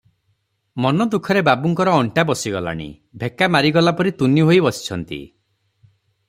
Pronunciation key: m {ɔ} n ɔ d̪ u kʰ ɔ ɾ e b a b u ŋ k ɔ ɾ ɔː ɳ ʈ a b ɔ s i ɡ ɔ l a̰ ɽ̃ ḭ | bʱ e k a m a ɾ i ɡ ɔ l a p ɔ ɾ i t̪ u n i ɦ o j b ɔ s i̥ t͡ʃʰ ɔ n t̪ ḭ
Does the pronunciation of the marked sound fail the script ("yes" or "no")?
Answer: no